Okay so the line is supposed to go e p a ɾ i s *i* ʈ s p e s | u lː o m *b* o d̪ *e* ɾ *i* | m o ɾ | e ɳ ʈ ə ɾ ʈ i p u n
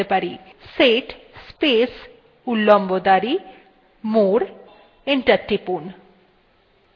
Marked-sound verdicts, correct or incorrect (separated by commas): incorrect, correct, incorrect, correct